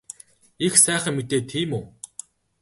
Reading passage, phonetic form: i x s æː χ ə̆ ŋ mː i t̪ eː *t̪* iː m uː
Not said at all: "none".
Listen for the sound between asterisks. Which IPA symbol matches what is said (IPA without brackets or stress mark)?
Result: t̪ʰ